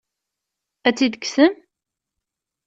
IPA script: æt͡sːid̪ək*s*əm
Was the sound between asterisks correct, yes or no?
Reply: yes